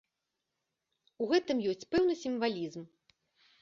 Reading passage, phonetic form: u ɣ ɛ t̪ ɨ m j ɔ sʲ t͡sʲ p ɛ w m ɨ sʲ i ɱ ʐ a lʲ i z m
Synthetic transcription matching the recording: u ɣ ɛ t̪ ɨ m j ɔ sʲ t͡sʲ p ɛ w n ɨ sʲ i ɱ v a lʲ i z m